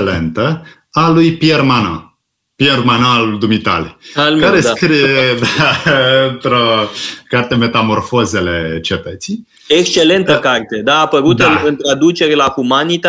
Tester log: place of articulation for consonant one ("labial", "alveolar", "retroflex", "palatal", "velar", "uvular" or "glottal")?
alveolar